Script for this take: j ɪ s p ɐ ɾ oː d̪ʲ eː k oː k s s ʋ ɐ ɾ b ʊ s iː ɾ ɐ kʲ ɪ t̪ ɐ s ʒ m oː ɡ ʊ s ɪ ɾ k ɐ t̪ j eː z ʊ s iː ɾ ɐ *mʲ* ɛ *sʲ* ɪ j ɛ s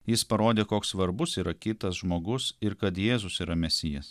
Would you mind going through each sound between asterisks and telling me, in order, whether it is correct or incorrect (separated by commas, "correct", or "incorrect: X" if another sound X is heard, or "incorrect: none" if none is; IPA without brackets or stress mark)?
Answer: correct, correct